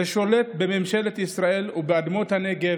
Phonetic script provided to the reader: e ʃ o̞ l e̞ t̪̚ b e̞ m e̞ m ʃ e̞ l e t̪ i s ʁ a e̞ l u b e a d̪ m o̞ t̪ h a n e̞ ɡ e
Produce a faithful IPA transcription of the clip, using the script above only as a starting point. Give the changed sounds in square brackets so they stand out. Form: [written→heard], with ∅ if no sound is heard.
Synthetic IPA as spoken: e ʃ o̞ l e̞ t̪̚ b e̞ m e̞ m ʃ e̞ l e t̪ i s ʁ a e̞ l u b e a d̪ m o̞ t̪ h a n e̞ ɡ e